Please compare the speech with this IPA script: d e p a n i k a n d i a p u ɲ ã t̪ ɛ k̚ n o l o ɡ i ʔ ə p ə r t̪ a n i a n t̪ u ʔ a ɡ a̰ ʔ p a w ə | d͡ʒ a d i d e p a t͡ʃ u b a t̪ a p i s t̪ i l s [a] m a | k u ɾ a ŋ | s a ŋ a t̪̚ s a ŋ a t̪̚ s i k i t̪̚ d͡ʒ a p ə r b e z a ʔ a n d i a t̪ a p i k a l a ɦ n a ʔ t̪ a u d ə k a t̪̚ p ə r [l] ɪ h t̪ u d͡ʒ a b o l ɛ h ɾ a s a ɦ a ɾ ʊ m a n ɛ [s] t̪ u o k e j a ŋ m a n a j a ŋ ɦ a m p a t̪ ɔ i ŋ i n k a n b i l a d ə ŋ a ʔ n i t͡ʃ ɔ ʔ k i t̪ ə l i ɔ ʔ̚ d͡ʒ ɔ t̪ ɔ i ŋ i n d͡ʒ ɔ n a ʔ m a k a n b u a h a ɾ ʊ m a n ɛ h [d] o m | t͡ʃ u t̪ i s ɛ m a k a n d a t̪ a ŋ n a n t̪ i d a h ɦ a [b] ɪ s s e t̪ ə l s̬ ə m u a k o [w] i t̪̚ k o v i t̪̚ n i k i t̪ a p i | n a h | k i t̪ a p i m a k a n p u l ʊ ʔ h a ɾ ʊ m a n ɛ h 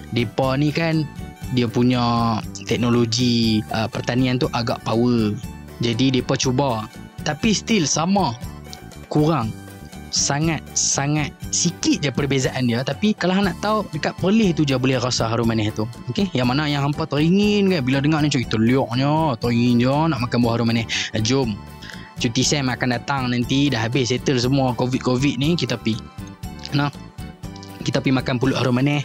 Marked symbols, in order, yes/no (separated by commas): yes, yes, no, no, yes, no